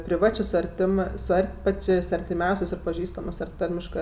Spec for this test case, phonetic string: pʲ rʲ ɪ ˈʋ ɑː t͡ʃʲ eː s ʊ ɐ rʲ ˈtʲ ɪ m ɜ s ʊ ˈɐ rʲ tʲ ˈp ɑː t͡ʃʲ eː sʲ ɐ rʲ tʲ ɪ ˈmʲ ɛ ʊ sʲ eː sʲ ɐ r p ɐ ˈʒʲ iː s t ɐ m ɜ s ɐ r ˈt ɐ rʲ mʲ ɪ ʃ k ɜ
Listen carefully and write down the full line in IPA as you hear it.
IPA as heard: pʲ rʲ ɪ ˈʋ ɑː t͡ʃʲ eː s ʊ ɐ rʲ ˈtʲ ɪ m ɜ s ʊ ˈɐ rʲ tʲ ˈp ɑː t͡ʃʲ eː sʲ ɐ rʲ tʲ ɪ ˈmʲ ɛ ʊ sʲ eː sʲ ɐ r p ɐ ˈʒʲ iː s t ɐ m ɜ s ɐ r ˈt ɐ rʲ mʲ ɪ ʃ k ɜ